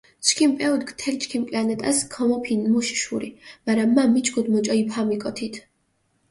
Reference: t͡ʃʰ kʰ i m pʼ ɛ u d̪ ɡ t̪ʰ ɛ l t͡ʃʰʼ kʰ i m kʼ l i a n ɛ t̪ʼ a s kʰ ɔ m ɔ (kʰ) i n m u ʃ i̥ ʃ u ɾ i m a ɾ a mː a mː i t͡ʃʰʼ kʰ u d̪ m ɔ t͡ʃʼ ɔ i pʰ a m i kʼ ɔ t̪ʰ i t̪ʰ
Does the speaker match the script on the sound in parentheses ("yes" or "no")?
no